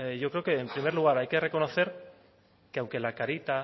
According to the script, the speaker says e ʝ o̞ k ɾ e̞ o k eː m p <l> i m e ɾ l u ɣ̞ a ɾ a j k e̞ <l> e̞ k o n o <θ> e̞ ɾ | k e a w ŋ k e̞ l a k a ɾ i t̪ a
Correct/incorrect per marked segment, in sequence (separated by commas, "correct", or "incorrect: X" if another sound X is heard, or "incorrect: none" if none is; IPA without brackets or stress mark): incorrect: ɾ, incorrect: r, correct